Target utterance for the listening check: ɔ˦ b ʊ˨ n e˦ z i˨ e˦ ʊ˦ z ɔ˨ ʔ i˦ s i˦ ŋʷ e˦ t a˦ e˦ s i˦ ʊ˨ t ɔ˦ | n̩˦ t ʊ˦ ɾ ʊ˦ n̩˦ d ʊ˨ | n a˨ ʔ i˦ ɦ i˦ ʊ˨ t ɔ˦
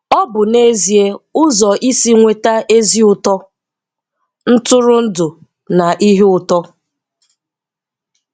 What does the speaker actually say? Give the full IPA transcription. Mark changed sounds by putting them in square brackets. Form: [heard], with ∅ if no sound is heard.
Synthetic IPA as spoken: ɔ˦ b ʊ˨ n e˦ z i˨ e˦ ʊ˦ z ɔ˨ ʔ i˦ s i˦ ŋʷ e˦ t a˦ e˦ [z] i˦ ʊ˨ t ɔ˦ | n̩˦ t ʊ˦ ɾ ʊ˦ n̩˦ d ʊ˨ | n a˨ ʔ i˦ ɦ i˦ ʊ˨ t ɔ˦